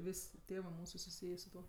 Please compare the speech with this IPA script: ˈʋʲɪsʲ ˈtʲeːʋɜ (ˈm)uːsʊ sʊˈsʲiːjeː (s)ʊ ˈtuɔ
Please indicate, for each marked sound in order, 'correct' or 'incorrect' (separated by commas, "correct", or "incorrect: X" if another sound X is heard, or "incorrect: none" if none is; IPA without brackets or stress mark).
correct, correct